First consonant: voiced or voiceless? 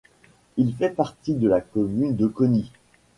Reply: voiced